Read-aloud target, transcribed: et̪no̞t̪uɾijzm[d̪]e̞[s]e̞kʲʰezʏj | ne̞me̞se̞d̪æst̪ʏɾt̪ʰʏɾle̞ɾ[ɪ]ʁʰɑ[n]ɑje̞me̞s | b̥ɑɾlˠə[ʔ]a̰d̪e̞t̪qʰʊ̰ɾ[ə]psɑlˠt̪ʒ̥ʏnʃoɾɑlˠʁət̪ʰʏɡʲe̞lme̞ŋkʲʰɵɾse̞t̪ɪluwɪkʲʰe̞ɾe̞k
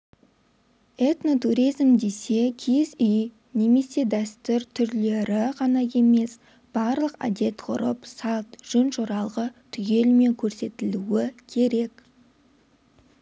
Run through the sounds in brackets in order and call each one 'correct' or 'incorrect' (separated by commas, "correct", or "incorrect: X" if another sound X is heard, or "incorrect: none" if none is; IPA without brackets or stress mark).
correct, correct, correct, correct, incorrect: q, correct